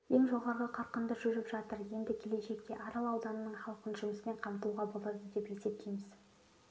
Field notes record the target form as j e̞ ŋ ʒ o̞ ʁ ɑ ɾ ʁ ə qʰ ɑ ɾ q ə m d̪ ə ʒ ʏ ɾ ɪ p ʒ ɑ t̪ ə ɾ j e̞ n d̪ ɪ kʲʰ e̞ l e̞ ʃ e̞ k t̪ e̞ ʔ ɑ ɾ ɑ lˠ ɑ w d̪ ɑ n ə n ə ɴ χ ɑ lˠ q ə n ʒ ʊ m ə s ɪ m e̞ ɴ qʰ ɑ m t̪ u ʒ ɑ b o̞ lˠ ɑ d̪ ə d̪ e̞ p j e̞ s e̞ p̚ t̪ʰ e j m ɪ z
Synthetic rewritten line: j e̞ ŋ ʒ o̞ ʁ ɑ ɾ ʁ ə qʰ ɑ ɾ q ə n d̪ ə ʒ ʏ ɾ ɪ p ʒ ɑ t̪ ə ɾ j e̞ n d̪ ɪ kʲʰ e̞ l e̞ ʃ e̞ k t̪ e̞ ʔ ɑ ɾ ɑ lˠ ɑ w d̪ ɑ n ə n ə ɴ χ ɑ lˠ q ə n ʒ ʊ m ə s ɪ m e̞ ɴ qʰ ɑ m t̪ u ʁ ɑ b o̞ lˠ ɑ d̪ ə d̪ e̞ p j e̞ s e̞ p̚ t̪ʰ e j m ɪ z